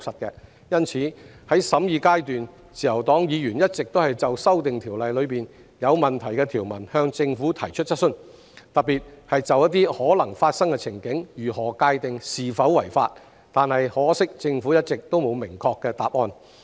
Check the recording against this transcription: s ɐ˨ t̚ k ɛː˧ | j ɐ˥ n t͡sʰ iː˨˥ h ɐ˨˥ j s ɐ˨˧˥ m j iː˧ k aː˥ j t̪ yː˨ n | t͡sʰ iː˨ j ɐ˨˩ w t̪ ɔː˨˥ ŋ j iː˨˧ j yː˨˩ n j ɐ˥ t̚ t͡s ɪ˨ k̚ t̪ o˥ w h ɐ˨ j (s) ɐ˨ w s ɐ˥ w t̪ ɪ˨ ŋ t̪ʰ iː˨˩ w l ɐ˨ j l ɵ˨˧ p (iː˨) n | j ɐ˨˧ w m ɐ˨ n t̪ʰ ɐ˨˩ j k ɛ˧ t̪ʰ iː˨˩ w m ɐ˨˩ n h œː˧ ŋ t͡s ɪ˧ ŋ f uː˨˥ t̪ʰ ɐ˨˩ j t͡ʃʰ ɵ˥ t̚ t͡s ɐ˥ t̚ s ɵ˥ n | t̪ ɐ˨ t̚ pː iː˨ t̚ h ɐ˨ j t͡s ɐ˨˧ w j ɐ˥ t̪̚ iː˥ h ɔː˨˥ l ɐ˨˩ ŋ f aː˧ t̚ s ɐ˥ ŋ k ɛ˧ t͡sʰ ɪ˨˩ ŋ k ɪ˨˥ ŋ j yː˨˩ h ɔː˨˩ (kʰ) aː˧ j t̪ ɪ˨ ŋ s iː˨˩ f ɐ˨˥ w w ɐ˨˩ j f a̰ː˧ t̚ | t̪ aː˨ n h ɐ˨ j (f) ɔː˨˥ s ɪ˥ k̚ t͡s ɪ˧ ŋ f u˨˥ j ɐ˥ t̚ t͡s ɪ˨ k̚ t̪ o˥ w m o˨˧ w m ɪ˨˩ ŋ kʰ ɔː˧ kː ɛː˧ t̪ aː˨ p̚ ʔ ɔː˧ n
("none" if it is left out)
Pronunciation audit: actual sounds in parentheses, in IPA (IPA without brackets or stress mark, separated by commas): t͡s, iː˨, k, h